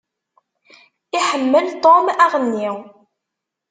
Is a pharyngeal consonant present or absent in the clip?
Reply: present